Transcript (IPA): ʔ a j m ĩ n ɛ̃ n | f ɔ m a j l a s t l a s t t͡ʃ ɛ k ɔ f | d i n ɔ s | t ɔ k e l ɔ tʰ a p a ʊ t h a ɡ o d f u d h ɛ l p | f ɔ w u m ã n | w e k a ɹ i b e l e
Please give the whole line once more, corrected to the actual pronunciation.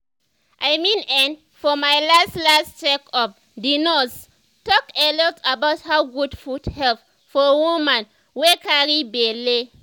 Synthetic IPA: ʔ a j m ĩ n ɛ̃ n | f ɔ m a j l a s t l a s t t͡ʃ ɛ k ɔ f | d i n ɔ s | t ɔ k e l ɔ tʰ a b a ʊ t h a ɡ u d f u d h ɛ l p | f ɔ w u m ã n | w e k a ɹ i b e l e